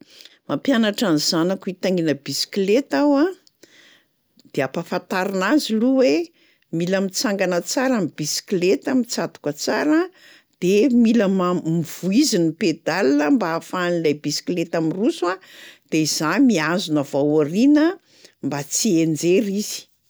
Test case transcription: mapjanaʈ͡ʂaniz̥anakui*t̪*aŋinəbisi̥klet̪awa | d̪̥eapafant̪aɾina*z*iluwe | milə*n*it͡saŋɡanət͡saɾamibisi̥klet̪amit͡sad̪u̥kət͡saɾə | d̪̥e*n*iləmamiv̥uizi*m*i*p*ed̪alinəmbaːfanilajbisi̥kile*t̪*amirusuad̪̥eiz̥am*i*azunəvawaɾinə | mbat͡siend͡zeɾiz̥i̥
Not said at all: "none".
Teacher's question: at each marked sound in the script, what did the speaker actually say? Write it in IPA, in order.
t̪, z, m, m, n, p, t̪, i

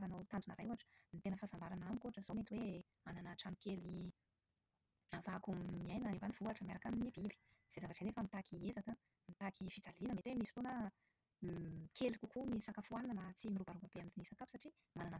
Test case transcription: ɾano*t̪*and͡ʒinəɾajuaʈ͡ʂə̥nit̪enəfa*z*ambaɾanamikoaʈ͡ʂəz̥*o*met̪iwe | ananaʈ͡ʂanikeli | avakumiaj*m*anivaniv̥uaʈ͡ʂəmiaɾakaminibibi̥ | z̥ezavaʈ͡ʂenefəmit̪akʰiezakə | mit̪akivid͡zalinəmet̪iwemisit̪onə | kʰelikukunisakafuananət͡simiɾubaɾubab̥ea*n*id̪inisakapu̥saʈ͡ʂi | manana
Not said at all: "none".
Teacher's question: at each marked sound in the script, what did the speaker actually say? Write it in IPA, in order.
t̪, z, o, n, m

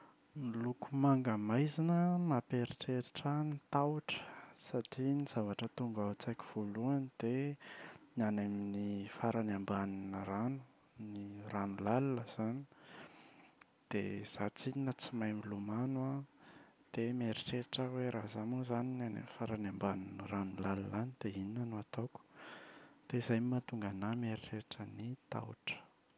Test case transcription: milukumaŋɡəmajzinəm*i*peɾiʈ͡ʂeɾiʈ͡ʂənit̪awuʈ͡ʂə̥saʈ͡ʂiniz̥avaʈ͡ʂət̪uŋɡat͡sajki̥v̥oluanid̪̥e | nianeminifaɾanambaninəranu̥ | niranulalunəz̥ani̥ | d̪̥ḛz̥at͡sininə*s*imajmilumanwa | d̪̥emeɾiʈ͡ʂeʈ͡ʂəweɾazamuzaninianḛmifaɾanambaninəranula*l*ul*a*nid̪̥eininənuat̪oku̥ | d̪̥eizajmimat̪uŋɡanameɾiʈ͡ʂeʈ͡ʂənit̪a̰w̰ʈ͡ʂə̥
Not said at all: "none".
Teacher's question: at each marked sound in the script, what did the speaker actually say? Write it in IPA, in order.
a, t͡s, l, a

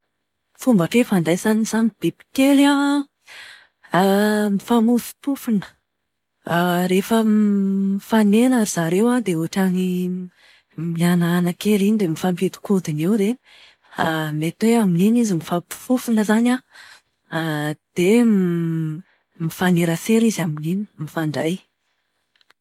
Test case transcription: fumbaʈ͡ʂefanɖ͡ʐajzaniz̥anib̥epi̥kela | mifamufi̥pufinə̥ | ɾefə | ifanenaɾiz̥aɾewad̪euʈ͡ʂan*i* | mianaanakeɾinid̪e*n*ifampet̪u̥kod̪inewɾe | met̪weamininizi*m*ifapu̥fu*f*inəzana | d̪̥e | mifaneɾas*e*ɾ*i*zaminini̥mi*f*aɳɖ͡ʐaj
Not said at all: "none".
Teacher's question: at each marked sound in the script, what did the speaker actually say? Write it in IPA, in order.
i, m, m, f, e, i, f

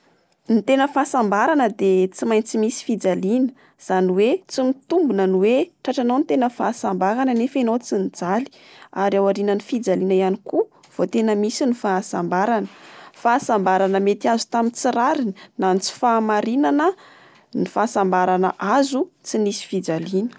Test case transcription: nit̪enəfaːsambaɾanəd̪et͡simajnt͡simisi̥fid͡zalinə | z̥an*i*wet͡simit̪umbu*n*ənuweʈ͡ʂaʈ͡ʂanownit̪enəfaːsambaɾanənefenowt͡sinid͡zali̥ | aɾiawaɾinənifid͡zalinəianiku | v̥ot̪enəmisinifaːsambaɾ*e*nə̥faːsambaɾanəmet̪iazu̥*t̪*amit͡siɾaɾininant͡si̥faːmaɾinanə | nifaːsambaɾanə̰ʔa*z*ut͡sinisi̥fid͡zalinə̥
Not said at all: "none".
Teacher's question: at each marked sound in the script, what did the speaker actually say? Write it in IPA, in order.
i, n, a, t̪, z

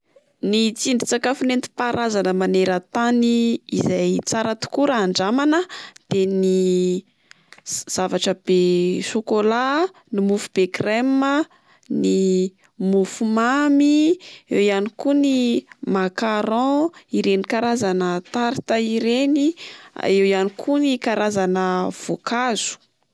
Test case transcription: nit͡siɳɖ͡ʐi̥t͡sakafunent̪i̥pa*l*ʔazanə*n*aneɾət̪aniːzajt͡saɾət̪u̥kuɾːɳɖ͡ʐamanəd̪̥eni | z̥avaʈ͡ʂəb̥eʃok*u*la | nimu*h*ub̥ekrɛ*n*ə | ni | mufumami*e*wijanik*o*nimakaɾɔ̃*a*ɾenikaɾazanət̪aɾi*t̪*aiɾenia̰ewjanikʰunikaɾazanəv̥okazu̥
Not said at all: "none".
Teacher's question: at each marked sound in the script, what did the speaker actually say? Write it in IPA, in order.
ɾ, m, o, f, m, e, u, i, t̪

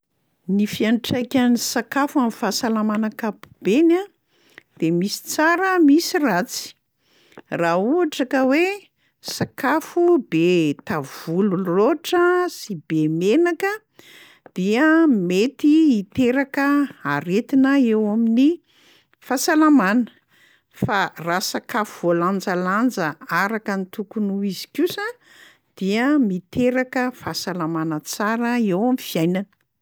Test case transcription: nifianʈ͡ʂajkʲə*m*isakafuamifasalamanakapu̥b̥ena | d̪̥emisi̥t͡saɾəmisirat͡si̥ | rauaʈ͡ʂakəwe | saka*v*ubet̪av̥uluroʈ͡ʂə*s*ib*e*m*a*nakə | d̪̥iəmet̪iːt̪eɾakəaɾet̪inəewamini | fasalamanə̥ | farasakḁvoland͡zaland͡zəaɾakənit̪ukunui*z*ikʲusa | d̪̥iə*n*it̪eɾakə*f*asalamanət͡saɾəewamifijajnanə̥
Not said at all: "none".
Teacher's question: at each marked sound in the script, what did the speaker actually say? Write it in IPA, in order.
n, f, s, e, e, z, m, f

